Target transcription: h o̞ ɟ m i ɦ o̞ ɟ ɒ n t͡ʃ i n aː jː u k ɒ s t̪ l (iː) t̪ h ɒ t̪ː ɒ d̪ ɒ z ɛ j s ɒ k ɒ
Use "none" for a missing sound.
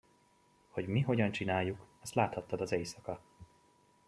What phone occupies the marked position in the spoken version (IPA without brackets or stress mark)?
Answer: aː